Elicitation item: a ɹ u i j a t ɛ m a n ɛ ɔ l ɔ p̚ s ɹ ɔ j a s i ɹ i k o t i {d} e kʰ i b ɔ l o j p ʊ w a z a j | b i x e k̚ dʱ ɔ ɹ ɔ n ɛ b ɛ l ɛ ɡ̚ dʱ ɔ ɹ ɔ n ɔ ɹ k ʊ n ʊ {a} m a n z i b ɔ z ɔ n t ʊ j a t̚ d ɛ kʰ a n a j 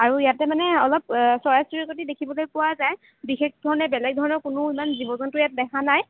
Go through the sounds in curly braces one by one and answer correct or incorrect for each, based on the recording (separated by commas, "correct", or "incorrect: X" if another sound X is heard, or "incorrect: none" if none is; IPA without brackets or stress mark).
correct, incorrect: i